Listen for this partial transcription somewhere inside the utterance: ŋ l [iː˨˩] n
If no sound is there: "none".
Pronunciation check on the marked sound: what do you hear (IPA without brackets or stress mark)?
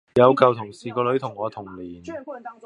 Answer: iː˨˩